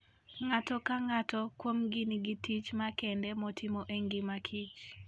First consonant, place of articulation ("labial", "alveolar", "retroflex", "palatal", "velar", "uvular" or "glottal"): velar